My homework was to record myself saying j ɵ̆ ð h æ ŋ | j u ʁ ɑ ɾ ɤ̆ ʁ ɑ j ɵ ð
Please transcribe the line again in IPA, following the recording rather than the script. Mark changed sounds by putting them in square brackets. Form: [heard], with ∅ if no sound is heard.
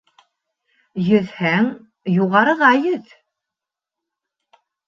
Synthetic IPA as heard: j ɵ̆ ð h æ ŋ | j u ʁ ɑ ɾ ɤ̆ ʁ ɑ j ɵ ð